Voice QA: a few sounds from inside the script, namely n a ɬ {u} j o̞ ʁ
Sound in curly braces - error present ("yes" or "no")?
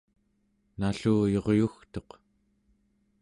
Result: yes